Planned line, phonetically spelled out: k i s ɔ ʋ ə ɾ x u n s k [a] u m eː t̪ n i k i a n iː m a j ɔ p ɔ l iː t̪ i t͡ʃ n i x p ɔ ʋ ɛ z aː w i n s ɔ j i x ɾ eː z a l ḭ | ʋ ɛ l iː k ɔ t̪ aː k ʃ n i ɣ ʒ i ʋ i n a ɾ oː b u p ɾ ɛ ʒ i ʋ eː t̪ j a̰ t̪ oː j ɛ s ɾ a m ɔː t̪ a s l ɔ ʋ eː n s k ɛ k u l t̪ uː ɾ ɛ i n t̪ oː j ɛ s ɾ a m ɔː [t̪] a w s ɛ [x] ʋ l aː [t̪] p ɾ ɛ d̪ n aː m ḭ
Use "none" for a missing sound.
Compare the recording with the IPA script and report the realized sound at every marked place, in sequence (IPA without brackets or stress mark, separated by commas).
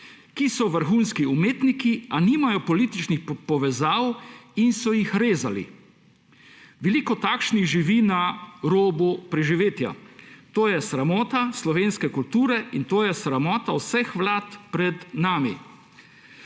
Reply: i, t̪, x, t̪